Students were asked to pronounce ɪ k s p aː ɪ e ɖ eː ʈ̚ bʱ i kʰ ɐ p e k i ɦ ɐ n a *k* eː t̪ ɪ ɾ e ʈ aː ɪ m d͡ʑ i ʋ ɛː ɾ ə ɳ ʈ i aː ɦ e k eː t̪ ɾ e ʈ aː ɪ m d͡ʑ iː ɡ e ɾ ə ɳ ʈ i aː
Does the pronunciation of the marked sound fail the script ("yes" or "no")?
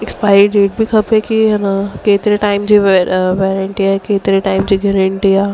no